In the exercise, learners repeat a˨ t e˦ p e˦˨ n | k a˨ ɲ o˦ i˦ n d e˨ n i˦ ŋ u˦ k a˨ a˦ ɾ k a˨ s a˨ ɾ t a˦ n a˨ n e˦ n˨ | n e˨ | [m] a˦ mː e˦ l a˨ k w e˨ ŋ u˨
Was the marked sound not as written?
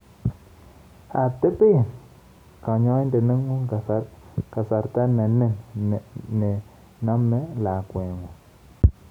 yes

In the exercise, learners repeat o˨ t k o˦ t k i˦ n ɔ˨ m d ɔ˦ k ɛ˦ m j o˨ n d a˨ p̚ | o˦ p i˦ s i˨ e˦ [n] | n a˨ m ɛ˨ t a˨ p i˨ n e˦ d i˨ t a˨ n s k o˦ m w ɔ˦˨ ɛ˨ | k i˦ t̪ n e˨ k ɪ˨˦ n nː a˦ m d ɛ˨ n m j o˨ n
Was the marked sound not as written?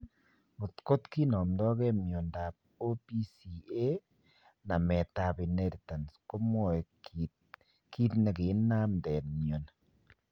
yes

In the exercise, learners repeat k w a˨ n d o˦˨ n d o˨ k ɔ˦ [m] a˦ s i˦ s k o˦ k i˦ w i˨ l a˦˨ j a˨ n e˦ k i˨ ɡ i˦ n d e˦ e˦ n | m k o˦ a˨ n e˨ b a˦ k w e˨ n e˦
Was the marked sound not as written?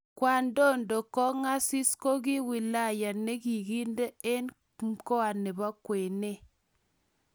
yes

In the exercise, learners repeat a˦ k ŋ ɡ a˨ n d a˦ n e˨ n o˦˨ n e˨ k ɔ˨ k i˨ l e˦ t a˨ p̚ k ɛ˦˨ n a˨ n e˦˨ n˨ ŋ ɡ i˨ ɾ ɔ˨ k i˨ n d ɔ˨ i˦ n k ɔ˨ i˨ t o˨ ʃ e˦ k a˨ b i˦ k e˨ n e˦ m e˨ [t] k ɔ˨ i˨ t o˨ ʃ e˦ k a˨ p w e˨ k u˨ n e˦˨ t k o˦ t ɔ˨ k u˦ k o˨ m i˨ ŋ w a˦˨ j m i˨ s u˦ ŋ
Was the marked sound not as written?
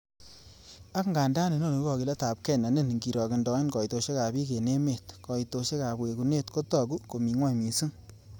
no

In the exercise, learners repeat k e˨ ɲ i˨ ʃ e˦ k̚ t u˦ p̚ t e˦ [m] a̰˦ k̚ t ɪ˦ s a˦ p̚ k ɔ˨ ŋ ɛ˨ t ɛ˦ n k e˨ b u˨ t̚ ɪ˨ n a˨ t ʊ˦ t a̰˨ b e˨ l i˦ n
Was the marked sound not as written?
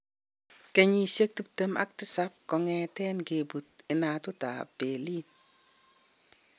no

